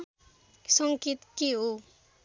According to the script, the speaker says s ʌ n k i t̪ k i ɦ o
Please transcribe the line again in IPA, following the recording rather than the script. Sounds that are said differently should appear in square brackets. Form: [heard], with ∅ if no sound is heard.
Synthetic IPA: s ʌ [ŋ] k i t̪ k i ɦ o